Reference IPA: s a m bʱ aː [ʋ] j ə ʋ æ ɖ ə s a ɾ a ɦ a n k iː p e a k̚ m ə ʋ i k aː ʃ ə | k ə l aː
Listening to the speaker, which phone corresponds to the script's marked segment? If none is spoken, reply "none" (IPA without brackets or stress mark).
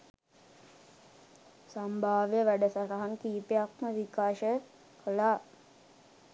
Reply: ʋ